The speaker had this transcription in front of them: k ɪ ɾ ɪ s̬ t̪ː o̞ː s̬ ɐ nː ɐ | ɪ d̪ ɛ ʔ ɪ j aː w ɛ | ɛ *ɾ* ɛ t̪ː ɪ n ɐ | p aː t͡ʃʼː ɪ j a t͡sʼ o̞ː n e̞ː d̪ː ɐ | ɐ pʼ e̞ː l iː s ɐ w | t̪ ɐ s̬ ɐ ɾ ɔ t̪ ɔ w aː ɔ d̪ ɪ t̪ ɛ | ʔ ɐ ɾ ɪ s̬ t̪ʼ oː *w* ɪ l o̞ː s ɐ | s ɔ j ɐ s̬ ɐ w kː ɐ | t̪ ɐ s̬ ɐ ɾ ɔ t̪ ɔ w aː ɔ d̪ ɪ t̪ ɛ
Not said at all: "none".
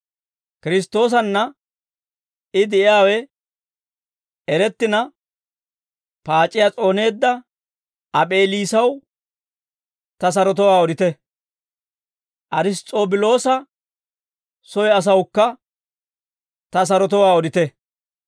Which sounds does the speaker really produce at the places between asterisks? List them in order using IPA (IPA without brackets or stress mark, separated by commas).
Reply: ɾ, b